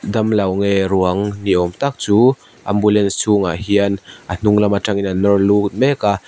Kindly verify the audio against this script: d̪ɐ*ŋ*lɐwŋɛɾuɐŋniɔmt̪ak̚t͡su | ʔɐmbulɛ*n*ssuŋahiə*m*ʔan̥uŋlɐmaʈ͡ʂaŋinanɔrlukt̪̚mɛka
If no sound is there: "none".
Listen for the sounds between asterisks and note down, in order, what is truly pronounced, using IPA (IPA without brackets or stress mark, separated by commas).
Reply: m, n, n